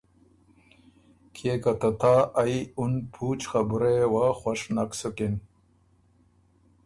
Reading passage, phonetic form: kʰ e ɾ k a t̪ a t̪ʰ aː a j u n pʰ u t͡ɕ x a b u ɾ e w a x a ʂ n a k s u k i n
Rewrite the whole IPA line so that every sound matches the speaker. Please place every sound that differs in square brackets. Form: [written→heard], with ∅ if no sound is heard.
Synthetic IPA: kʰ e [ɾ→∅] k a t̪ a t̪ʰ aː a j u n pʰ u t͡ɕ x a b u ɾ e w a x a ʂ n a k s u k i n